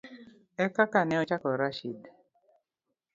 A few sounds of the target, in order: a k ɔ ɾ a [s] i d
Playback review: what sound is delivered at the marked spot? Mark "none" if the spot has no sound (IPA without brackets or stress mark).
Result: ʃ